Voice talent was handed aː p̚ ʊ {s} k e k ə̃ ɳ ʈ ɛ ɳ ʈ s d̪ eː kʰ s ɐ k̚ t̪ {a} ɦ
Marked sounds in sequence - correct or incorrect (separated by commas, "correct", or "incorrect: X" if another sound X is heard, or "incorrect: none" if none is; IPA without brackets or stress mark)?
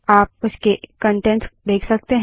correct, incorrect: e